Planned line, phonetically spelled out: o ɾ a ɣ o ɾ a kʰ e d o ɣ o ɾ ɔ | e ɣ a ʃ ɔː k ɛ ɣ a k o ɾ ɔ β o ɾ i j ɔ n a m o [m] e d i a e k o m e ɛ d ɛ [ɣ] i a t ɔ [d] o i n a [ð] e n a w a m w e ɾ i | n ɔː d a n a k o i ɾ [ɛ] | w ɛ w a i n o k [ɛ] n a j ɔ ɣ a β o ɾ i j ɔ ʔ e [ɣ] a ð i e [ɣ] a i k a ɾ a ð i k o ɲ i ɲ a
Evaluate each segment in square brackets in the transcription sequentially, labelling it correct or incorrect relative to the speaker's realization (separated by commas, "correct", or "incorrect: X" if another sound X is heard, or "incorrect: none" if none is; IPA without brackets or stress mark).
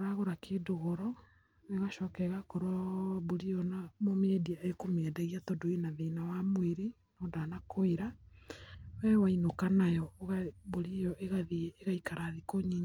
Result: correct, correct, correct, correct, incorrect: a, incorrect: a, correct, correct